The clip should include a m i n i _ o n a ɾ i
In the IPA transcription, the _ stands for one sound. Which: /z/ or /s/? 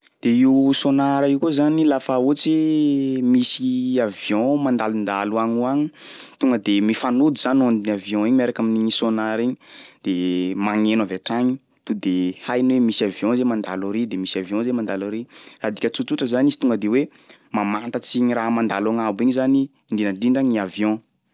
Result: s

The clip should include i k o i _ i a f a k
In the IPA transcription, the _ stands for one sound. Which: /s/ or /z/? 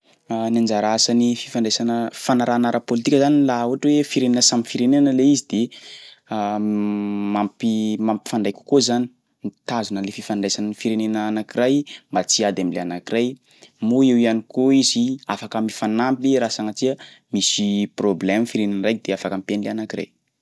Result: z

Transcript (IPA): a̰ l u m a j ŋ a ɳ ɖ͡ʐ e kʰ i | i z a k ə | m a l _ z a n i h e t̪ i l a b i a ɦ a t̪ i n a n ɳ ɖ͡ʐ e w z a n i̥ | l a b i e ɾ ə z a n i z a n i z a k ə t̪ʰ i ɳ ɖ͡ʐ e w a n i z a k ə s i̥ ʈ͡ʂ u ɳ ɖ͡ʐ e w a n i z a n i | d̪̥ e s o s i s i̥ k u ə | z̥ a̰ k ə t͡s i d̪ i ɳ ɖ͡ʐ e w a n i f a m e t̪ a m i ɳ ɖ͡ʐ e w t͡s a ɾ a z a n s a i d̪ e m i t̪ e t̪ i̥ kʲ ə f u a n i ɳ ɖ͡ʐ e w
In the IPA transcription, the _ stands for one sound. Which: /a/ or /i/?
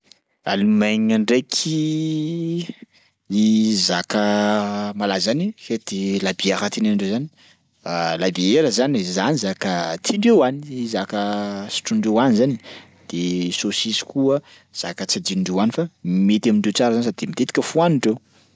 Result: a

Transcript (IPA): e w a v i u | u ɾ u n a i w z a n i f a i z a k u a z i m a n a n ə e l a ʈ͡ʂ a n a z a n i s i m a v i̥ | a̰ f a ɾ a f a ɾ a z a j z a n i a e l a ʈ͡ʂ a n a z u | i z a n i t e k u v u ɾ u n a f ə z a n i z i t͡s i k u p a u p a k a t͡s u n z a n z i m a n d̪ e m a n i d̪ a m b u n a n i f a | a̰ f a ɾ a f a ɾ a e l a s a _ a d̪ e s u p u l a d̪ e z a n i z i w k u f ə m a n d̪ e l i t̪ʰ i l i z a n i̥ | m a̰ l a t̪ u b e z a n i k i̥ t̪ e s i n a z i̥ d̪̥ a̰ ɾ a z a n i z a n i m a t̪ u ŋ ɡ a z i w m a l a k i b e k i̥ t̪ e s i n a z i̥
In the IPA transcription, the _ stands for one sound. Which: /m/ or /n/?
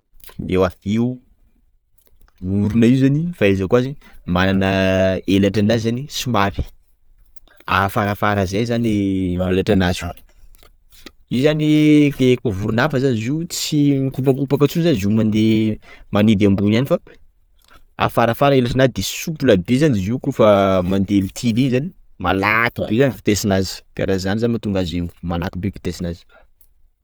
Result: n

